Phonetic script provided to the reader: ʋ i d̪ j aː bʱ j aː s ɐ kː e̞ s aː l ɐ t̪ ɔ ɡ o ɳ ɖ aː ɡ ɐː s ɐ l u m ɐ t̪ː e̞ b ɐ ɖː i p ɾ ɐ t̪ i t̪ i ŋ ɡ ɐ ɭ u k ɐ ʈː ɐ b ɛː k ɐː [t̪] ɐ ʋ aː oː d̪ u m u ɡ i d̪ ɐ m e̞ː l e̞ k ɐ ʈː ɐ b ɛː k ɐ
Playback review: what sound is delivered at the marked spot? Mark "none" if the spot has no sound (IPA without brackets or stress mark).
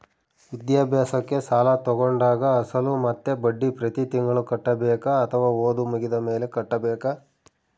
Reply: t̪ʰ